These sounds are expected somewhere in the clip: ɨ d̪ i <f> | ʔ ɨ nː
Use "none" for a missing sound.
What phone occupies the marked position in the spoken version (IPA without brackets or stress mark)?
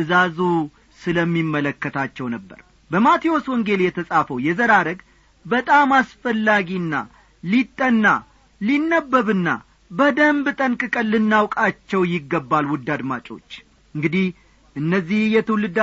h